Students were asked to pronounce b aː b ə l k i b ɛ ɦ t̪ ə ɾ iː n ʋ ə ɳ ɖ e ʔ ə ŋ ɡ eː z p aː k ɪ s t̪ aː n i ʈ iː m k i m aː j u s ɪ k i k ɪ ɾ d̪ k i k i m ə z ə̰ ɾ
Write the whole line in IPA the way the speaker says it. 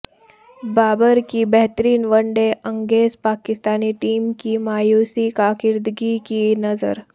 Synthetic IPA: b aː b ə ɾ k i b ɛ ɦ t̪ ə ɾ iː n ʋ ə ɳ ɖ e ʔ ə ŋ ɡ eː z p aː k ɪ s t̪ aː n i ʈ iː m k i m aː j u s i k a k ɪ ɾ d̪ ɡ i k i n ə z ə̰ ɾ